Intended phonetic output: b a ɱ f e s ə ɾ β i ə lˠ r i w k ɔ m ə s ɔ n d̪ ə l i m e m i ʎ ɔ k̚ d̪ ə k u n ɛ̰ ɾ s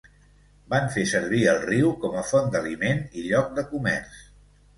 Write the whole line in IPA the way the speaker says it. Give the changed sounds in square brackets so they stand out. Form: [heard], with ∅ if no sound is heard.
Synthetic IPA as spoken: b a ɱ f e s ə ɾ β i ə lˠ r i w k ɔ m ə [f] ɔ n d̪ ə l i m e [n] i ʎ ɔ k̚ d̪ ə k u [m] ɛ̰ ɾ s